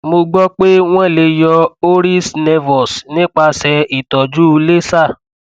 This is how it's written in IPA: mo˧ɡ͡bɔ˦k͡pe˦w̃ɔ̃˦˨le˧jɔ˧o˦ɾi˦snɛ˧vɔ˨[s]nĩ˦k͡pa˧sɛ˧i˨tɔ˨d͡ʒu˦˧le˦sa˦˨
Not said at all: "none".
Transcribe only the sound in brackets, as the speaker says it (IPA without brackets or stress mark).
s